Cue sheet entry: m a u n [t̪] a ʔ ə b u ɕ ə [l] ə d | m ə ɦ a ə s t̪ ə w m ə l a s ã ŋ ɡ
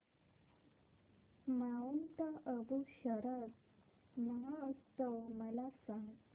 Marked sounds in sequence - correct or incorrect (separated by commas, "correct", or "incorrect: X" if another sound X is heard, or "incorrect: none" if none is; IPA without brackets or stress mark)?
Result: correct, incorrect: ɾ